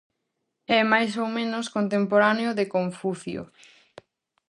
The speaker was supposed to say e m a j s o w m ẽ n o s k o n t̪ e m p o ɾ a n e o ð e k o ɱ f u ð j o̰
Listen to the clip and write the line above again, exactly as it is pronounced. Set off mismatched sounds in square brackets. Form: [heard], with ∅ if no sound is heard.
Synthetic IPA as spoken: [ɛ] m a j s o w m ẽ n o s k o n t̪ e m p o ɾ a n e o ð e k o ɱ f u [θ] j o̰